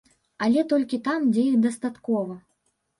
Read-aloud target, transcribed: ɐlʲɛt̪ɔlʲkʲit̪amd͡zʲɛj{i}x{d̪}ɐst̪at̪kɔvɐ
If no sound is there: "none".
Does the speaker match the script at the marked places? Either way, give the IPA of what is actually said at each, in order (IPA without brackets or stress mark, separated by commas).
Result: i, d̪